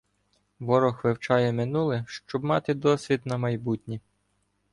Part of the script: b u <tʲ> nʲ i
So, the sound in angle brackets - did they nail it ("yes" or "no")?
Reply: yes